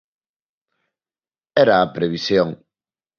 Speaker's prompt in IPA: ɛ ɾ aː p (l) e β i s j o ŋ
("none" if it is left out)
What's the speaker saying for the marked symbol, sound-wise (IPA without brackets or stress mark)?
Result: ɾ